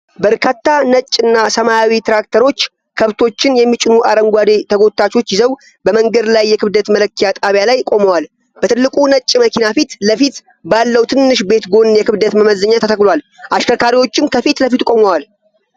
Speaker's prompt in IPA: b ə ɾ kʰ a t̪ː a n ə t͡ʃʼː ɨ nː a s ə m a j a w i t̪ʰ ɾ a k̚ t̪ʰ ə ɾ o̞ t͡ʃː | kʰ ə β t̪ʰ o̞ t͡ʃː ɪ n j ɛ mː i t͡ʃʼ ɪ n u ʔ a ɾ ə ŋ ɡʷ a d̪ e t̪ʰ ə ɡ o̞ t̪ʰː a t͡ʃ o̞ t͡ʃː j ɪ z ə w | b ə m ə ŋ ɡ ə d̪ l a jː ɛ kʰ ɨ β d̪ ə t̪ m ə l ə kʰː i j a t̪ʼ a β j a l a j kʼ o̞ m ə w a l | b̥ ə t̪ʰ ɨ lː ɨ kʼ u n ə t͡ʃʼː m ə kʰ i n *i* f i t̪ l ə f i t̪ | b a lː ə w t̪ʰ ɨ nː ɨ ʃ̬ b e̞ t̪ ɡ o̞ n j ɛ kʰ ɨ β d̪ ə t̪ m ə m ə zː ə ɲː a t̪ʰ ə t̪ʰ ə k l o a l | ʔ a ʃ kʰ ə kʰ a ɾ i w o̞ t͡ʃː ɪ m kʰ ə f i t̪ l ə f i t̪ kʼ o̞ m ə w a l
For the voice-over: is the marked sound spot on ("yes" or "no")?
no